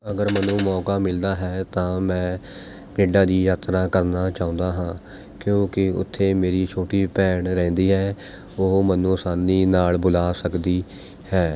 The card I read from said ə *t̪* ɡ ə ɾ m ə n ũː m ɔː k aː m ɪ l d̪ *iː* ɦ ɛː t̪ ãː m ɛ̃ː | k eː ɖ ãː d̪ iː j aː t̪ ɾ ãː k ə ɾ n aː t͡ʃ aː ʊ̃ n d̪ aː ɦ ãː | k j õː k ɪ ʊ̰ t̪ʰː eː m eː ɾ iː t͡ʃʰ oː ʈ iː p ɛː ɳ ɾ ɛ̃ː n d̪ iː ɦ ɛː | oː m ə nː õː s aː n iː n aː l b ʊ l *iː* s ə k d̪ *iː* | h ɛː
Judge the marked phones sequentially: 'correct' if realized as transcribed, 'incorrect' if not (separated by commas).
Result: incorrect, incorrect, incorrect, correct